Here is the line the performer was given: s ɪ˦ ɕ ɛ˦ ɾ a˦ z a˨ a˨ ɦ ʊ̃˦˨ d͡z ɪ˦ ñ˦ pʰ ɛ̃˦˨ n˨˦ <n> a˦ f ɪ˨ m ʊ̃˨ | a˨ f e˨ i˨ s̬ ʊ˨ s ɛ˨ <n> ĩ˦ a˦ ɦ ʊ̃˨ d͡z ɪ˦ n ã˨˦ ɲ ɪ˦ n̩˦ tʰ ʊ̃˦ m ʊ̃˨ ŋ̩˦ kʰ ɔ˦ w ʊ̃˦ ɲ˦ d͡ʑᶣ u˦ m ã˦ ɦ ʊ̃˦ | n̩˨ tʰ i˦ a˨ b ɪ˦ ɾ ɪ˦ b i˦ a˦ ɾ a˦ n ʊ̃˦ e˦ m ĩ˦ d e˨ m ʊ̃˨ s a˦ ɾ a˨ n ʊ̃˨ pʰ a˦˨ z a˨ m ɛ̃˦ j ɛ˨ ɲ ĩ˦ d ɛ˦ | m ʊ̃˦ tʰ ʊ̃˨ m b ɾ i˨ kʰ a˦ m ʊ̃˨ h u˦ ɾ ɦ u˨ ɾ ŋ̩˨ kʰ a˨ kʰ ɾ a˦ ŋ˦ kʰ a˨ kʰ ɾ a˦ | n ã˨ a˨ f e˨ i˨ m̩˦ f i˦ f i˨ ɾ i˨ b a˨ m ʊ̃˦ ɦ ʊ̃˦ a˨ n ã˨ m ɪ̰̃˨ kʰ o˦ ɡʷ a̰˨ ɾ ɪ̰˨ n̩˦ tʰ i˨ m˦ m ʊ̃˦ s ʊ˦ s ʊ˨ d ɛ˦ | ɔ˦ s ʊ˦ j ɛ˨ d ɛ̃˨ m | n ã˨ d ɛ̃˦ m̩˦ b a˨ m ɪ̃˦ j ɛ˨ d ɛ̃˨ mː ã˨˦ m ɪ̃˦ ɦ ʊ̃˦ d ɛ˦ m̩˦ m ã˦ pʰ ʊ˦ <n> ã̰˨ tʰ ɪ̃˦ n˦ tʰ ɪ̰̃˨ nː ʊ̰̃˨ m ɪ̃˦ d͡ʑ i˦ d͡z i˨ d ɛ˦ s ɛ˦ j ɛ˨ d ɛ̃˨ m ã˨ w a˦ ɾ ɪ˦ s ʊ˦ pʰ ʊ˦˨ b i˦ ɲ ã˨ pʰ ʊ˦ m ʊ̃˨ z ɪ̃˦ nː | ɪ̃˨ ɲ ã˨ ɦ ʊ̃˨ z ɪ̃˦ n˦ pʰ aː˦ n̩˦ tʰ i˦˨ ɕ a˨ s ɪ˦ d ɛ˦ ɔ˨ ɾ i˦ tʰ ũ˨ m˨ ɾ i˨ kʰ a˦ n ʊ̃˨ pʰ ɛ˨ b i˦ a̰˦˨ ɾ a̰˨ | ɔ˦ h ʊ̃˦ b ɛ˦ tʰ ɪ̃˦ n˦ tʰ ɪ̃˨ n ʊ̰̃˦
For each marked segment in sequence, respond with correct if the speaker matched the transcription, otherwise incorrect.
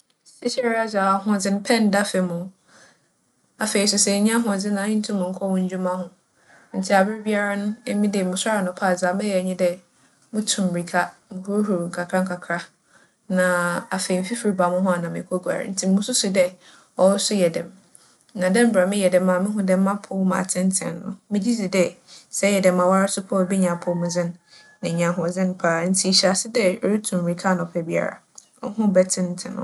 incorrect: d, incorrect: ɲ, incorrect: m

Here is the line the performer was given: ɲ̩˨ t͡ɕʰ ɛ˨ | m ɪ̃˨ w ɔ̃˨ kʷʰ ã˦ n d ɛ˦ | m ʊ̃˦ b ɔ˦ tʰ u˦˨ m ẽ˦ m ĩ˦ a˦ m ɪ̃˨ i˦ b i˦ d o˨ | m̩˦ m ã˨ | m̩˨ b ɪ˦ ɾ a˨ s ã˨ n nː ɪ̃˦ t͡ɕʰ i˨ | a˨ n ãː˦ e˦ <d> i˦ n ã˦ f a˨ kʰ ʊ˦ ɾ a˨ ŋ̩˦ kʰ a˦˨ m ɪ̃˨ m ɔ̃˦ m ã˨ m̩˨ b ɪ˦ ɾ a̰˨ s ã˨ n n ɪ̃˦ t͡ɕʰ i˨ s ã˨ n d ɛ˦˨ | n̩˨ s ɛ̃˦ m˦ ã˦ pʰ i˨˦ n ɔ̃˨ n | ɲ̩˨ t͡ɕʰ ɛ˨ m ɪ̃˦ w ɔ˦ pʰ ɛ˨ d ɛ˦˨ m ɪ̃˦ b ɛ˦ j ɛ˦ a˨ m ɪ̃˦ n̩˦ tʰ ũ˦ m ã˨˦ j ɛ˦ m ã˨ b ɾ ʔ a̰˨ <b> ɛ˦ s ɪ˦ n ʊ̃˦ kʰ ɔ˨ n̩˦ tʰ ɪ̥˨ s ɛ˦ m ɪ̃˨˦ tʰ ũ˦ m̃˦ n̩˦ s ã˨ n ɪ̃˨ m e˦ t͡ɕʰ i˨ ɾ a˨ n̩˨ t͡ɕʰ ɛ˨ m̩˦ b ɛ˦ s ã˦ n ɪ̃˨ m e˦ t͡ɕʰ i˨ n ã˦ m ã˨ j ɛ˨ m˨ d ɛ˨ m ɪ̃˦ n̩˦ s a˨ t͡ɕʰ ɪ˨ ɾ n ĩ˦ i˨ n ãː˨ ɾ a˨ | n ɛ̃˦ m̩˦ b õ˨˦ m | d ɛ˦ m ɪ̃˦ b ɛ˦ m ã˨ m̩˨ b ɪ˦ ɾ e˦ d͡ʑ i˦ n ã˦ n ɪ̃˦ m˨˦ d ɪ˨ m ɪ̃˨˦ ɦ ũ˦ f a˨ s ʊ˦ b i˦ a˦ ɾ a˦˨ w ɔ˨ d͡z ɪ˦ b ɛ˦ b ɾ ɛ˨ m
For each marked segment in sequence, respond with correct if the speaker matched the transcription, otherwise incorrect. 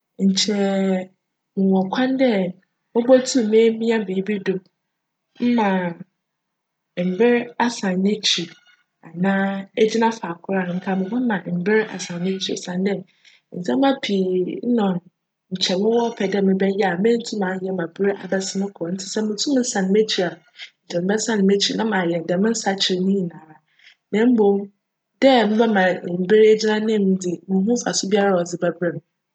incorrect: d͡ʑ, correct

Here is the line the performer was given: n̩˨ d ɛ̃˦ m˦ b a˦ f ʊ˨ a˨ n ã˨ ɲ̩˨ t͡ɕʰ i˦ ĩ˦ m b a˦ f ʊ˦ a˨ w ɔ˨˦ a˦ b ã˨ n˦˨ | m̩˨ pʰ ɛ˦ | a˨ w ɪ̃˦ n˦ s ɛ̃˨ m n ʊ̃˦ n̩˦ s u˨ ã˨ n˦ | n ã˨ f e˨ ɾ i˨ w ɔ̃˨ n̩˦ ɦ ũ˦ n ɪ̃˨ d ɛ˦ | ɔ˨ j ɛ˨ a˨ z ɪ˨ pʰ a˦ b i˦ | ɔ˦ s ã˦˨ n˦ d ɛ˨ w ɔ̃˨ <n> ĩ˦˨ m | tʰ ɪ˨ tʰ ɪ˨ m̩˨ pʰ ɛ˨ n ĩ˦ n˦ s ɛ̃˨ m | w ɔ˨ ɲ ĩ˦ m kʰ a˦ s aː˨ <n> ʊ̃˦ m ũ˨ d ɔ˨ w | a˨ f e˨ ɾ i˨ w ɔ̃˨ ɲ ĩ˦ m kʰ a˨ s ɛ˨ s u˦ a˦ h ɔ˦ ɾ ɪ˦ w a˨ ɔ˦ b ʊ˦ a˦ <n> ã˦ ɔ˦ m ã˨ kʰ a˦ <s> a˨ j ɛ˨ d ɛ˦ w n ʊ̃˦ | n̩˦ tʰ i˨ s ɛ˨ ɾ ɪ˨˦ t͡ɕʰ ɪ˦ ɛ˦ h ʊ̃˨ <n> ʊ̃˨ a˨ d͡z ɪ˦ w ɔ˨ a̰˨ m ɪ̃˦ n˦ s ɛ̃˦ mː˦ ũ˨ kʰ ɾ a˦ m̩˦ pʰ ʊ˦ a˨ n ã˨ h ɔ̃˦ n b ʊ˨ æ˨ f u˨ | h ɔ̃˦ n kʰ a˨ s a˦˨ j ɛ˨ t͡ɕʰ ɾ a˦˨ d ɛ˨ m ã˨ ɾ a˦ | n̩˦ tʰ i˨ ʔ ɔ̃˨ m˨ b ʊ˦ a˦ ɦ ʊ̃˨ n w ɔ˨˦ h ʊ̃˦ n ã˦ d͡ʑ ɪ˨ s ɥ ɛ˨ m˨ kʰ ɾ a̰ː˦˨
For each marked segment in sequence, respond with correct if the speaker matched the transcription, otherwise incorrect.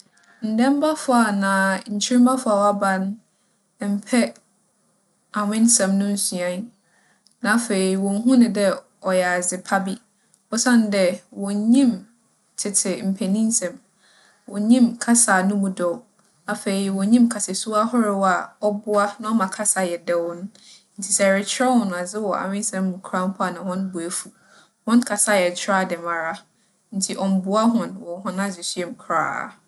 incorrect: ɲ, correct, correct, correct, correct

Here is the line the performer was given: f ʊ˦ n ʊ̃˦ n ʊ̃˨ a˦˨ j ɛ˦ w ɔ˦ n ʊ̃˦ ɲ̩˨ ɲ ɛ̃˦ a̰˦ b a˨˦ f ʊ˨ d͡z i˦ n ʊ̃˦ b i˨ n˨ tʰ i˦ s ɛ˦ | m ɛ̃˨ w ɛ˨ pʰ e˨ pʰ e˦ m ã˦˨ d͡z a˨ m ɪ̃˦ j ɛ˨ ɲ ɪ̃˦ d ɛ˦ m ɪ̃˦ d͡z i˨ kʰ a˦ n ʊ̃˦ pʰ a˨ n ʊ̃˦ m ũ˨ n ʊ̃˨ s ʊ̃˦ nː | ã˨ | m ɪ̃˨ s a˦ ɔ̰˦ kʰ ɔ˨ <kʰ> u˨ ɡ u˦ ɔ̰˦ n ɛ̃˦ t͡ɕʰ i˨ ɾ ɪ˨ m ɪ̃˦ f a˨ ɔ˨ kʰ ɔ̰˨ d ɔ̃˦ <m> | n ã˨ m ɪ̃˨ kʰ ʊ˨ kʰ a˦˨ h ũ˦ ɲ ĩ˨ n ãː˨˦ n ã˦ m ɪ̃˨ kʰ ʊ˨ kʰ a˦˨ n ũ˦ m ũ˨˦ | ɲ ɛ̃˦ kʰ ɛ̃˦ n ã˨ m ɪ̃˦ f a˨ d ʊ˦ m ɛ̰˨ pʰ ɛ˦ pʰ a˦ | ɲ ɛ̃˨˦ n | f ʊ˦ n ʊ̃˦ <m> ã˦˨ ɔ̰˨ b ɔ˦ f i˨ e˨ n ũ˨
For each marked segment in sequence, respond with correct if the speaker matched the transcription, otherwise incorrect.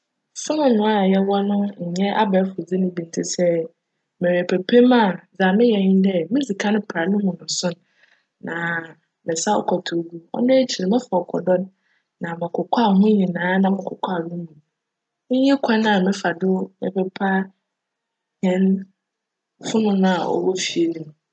incorrect: tʰ, incorrect: n, incorrect: n

